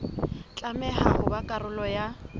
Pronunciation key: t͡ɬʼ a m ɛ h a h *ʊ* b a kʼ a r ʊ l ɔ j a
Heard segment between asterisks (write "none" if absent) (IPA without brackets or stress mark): ʊ